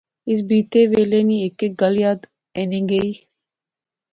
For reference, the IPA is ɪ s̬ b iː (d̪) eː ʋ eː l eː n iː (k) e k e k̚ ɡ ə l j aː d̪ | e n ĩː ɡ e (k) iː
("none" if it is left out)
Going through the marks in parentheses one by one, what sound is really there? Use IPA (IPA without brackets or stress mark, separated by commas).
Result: t̪, none, none